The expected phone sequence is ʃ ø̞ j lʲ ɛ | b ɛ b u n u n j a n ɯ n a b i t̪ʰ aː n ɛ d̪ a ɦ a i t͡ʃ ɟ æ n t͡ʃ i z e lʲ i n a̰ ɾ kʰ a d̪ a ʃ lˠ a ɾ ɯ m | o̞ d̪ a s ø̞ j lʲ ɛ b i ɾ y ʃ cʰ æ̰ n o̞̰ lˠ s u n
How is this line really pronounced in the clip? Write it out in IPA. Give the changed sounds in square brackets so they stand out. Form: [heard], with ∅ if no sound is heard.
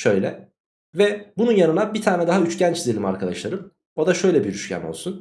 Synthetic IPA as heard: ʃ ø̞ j lʲ ɛ | [v] ɛ b u n u n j a n ɯ n a b i t̪ʰ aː n ɛ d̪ a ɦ a [y] t͡ʃ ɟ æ n t͡ʃ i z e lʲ i [m] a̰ ɾ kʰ a d̪ a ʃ lˠ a ɾ ɯ m | o̞ d̪ a [ʃ] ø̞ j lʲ ɛ b i ɾ y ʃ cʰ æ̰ n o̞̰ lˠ s u n

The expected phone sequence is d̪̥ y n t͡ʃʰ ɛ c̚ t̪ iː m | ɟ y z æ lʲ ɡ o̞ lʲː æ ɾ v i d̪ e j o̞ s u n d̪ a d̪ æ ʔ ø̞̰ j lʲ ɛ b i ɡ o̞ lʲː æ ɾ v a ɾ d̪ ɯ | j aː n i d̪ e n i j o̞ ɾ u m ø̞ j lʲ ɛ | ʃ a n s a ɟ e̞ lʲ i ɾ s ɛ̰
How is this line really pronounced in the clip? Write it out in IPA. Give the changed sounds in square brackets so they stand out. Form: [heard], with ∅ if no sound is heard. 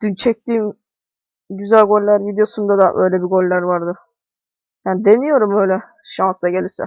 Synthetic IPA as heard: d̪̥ y n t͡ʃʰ ɛ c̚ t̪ iː m | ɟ y z æ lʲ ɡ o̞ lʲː æ ɾ v i d̪ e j o̞ s u n d̪ a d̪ [a] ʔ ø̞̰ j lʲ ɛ b i ɡ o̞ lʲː æ ɾ v a ɾ d̪ ɯ | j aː n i d̪ e n i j o̞ ɾ u m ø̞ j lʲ ɛ | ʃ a n s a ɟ e̞ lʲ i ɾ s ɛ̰

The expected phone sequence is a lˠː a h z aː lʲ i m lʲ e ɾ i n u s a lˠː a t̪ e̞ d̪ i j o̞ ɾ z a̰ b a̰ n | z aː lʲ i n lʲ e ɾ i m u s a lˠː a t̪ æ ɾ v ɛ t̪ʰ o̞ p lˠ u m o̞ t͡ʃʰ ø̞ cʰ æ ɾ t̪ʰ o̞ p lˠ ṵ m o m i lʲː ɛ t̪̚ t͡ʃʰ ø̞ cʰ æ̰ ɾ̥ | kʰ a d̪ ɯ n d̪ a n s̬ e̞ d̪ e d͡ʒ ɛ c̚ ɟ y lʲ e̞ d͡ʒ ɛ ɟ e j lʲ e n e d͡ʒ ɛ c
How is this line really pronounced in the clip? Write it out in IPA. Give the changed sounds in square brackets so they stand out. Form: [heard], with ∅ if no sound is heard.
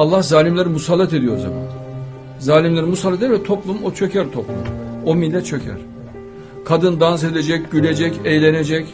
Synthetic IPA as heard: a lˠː a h z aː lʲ i m lʲ e ɾ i [m] u s a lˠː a t̪ e̞ d̪ i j o̞ ɾ z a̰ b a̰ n | z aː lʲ i [m] lʲ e ɾ i m u s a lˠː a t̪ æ ɾ v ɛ t̪ʰ o̞ p lˠ u m o̞ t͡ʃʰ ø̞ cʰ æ ɾ t̪ʰ o̞ p lˠ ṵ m o m i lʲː ɛ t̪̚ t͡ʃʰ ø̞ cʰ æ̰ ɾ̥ | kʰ a d̪ ɯ n d̪ a n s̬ e̞ d̪ e d͡ʒ ɛ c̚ ɟ y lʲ e̞ d͡ʒ ɛ [c] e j lʲ e n e d͡ʒ ɛ c

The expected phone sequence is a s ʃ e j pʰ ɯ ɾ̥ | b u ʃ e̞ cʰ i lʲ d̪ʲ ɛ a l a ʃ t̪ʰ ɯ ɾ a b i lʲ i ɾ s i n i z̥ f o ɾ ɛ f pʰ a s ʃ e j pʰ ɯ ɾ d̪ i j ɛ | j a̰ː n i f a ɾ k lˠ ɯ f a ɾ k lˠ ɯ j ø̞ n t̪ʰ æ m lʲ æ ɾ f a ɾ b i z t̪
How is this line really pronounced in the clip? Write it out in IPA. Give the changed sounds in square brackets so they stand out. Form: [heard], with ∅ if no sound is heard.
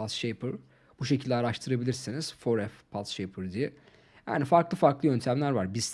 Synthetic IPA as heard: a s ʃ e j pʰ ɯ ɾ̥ | b u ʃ e̞ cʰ i lʲ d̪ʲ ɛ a [ɾ] a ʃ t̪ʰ ɯ ɾ a b i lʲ i ɾ s i n i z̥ f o ɾ ɛ f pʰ a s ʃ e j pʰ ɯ ɾ d̪ i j ɛ | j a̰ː n i f a ɾ k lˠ ɯ f a ɾ k lˠ ɯ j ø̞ n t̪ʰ æ m lʲ æ ɾ [v] a ɾ b i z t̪

